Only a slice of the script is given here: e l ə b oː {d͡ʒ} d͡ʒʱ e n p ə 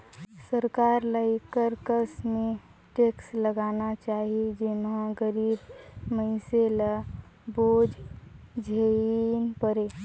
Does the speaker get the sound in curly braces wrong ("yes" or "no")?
no